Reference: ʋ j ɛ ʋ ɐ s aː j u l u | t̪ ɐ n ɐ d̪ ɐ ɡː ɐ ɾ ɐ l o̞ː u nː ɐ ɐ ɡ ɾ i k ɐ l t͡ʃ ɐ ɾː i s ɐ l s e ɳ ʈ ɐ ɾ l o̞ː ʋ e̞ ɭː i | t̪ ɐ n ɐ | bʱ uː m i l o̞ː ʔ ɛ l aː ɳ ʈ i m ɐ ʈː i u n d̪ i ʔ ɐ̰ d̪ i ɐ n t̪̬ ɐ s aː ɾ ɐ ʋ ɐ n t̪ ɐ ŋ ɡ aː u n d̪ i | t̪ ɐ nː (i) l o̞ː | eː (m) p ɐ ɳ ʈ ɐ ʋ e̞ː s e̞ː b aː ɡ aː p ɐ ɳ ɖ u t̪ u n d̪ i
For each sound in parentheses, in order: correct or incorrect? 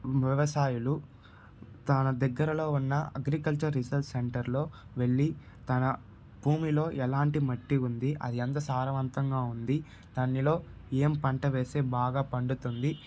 correct, correct

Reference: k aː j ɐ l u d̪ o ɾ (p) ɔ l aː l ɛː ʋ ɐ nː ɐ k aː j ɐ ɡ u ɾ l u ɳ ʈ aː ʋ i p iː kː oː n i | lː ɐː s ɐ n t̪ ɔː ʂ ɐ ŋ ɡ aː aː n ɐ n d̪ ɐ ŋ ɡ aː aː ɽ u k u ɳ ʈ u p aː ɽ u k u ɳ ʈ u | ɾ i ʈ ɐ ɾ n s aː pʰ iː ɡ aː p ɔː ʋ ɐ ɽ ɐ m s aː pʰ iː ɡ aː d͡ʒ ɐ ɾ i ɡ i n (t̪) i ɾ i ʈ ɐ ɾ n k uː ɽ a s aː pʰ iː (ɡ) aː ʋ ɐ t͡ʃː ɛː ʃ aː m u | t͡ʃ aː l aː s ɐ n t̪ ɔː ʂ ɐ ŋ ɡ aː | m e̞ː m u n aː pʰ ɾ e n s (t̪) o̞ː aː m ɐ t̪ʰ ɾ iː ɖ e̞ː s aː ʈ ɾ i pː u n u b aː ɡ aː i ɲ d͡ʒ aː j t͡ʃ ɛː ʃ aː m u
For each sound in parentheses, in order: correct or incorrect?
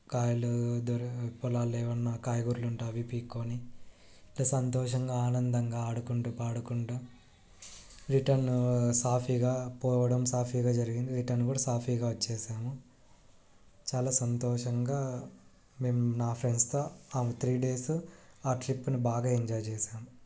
correct, incorrect, correct, correct

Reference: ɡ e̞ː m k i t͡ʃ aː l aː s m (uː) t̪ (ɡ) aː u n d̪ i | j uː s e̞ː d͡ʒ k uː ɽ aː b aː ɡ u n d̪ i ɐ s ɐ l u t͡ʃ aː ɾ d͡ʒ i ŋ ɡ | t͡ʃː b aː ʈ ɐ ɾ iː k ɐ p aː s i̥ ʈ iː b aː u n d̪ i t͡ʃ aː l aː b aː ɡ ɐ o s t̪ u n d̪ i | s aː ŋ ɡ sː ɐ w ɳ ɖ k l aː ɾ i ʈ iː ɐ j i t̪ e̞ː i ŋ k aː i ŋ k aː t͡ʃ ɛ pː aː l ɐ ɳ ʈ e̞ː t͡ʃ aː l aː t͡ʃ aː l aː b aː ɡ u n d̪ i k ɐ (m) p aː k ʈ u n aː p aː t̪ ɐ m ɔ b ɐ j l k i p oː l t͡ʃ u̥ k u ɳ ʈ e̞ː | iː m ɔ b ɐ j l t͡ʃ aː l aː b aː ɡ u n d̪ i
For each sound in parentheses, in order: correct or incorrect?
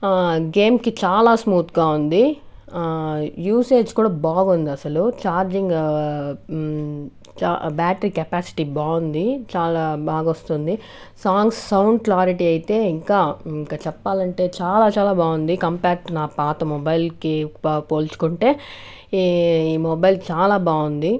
correct, correct, correct

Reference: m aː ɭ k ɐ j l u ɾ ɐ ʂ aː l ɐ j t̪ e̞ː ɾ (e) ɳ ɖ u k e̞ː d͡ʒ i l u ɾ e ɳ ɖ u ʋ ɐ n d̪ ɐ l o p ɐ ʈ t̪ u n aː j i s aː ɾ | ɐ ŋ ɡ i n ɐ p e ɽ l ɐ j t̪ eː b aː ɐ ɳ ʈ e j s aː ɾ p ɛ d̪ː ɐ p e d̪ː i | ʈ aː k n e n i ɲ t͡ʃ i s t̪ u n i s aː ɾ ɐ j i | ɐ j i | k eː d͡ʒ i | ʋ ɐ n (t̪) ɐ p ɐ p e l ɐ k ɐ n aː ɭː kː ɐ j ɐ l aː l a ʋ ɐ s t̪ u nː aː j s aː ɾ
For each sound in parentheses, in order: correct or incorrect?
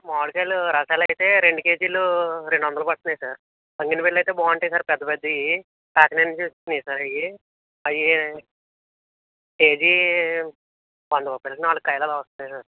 correct, incorrect

